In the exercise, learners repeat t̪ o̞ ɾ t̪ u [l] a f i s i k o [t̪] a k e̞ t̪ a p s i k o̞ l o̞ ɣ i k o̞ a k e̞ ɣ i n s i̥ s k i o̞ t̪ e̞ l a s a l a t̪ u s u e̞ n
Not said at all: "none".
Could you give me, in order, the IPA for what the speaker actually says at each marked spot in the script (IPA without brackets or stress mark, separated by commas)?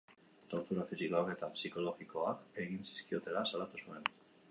ɾ, none